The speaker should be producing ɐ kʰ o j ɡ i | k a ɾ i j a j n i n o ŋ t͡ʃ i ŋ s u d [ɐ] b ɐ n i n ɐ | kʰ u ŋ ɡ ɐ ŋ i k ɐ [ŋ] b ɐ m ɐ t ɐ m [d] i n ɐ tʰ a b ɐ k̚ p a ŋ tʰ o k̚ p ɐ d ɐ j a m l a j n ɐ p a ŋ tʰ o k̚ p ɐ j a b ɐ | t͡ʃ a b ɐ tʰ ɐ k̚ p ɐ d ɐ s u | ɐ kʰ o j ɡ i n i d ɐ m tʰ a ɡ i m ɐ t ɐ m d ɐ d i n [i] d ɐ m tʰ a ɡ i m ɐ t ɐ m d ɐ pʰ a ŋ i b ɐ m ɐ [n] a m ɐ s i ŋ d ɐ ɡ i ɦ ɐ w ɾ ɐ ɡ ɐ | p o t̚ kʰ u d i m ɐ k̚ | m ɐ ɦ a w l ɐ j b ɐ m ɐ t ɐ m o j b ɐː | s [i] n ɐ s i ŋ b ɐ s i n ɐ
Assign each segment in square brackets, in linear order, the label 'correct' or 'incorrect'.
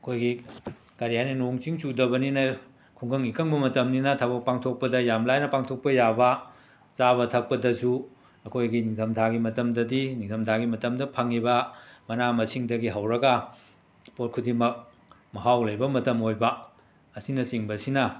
correct, correct, incorrect: n, correct, correct, correct

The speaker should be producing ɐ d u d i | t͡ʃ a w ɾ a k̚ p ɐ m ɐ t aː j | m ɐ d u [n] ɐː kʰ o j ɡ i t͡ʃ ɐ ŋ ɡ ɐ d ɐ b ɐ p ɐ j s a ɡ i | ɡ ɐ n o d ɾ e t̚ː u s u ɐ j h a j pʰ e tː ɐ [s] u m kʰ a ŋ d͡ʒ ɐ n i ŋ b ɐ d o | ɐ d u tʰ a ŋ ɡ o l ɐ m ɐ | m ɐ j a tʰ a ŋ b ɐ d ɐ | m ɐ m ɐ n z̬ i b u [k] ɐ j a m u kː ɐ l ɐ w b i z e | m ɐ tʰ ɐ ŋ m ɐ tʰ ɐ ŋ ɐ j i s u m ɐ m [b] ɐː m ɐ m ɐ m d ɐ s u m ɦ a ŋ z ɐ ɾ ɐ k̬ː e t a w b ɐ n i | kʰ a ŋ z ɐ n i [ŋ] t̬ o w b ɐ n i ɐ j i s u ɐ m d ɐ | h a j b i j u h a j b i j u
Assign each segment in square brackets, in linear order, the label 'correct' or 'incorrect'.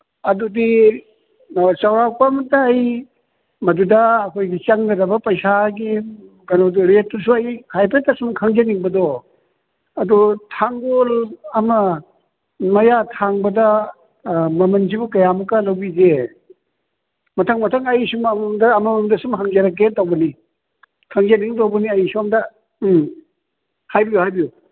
incorrect: d, correct, correct, incorrect: d, correct

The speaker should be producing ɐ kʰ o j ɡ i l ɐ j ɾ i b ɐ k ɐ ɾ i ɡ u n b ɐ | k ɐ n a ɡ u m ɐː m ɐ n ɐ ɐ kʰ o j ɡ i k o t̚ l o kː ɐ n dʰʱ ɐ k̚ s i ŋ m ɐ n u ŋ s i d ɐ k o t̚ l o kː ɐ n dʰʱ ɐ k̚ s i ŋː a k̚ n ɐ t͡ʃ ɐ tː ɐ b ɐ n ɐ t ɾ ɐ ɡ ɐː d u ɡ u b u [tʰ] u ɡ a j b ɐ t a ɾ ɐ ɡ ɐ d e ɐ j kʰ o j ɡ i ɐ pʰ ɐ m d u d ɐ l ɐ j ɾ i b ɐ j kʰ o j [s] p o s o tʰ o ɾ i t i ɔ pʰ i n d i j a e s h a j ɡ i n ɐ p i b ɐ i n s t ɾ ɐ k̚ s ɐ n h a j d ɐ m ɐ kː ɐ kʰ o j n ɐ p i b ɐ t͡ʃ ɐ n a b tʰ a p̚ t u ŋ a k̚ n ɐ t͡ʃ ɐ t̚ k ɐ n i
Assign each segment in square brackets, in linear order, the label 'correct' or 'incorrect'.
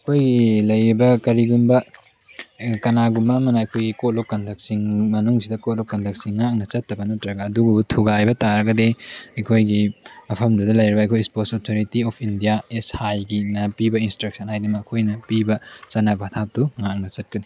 correct, correct

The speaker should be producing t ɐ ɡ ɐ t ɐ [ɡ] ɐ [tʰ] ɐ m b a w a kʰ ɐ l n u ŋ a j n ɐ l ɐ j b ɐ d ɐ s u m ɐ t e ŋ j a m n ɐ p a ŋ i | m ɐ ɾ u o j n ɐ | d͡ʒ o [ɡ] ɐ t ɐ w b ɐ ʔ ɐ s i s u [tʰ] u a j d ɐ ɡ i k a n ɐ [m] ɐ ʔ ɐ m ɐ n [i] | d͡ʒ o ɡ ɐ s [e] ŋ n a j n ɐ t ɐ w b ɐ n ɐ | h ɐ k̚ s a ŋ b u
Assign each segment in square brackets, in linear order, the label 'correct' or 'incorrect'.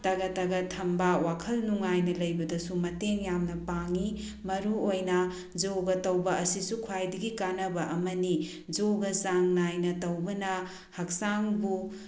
correct, correct, correct, incorrect: kʰ, incorrect: b, correct, incorrect: a

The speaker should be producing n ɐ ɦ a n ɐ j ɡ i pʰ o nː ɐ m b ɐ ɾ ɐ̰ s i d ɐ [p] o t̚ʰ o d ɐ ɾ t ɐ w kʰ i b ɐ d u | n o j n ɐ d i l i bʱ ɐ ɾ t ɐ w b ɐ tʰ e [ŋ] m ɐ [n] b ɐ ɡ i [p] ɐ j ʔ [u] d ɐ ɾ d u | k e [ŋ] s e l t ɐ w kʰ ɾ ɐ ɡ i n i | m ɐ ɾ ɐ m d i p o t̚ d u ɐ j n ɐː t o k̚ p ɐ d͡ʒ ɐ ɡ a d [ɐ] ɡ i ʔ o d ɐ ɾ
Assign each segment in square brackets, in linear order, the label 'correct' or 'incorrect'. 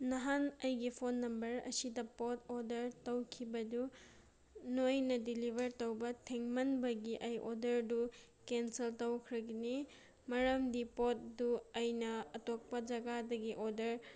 correct, correct, correct, incorrect: ʔ, incorrect: o, incorrect: n, correct

